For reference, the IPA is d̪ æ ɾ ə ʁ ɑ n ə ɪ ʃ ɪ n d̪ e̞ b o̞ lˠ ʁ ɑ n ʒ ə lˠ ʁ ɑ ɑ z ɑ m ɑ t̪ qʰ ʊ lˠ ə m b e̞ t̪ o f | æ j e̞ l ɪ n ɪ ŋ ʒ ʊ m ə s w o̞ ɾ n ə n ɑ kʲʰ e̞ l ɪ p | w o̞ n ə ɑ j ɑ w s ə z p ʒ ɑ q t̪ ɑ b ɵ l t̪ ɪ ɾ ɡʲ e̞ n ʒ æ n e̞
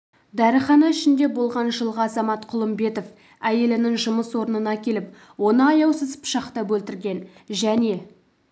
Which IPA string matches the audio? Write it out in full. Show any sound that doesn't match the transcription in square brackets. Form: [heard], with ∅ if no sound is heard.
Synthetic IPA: d̪ æ ɾ ə [χ] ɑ n [ɑ] ɪ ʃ ɪ n d̪ e̞ b o̞ lˠ ʁ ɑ n ʒ ə lˠ ʁ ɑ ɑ z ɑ m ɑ t̪ qʰ ʊ lˠ ə m b e̞ t̪ o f | æ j e̞ l ɪ n ɪ ŋ ʒ ʊ m ə s w o̞ ɾ n ə n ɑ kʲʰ e̞ l ɪ p | w o̞ n ə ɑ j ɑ w s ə z p [ʃ] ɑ q t̪ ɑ b ɵ l t̪ ɪ ɾ ɡʲ e̞ n ʒ æ n e̞